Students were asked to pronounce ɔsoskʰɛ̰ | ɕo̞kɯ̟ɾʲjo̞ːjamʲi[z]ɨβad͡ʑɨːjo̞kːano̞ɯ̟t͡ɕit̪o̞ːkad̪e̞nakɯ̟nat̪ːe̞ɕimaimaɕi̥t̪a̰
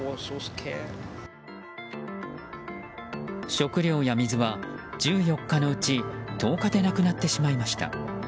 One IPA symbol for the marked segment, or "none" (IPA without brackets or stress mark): z